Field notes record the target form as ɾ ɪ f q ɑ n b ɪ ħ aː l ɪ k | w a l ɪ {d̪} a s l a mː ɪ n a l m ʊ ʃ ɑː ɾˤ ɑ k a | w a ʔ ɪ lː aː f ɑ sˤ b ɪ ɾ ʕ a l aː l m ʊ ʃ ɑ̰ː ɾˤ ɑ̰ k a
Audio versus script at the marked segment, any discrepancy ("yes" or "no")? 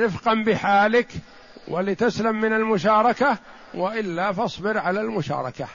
yes